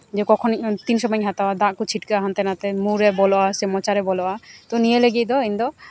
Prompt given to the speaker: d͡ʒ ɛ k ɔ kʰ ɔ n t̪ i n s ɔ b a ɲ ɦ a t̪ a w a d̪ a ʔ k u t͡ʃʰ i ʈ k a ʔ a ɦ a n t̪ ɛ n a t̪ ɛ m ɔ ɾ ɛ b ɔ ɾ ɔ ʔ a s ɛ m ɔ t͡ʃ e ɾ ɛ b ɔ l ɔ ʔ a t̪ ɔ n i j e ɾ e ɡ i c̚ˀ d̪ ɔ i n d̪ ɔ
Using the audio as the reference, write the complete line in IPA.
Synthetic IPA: d͡ʒ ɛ k ɔ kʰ ɔ n t̪ i n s ɔ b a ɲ ɦ a t̪ a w a d̪ a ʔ k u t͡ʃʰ i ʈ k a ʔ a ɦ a n t̪ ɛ n a t̪ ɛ m u ɾ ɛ b ɔ l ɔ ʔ a s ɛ m ɔ t͡ʃ a ɾ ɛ b ɔ l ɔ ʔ a t̪ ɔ n i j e l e ɡ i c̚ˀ d̪ ɔ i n d̪ ɔ